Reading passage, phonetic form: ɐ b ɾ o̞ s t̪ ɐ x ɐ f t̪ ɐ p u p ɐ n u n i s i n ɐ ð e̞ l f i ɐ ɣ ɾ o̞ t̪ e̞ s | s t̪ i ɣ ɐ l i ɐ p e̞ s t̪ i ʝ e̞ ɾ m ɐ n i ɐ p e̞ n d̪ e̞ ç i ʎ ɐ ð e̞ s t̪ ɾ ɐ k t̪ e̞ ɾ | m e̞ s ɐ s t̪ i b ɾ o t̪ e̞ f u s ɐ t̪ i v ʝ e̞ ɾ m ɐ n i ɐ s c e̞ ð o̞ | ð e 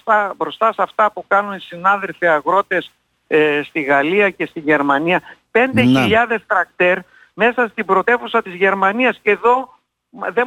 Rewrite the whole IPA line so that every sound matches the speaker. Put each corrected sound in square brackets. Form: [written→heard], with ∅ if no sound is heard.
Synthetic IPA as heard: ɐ b ɾ o̞ s t̪ ɐ [x→s] ɐ f t̪ ɐ p u [p→k] ɐ n u n i s i n ɐ ð e̞ l f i ɐ ɣ ɾ o̞ t̪ e̞ s | s t̪ i ɣ ɐ l i ɐ [p→c] e̞ s t̪ i ʝ e̞ ɾ m ɐ n i ɐ p e̞ n d̪ e̞ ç i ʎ ɐ ð e̞ s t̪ ɾ ɐ k t̪ e̞ ɾ | m e̞ s ɐ s t̪ i b ɾ o t̪ e̞ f u s ɐ t̪ i [v→z] ʝ e̞ ɾ m ɐ n i ɐ s c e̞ ð o̞ | ð e